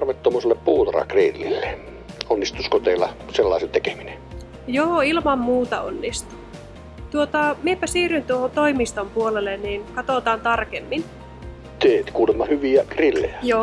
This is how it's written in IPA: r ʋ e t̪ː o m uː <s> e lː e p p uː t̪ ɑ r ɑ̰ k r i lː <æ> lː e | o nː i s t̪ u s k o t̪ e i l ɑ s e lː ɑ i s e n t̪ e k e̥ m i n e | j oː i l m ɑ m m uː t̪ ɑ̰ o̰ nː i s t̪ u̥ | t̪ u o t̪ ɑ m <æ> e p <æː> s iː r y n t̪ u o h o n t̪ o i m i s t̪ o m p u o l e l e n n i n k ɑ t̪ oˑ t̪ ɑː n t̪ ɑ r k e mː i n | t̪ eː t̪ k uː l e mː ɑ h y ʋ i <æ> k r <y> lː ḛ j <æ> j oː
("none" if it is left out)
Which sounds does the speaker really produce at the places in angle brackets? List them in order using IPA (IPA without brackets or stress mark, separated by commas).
s, i, i, æ, æ, i, æ